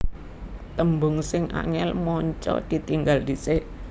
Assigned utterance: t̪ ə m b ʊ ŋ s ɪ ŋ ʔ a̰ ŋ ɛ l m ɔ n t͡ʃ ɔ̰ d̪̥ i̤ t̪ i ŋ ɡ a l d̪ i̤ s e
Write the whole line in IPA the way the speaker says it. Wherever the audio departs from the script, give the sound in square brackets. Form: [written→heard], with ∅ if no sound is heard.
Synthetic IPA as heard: t̪ ə m b ʊ ŋ s ɪ ŋ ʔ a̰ ŋ ɛ l m ɔ [n→ɲ] t͡ʃ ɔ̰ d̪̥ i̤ t̪ i ŋ ɡ a l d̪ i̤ s e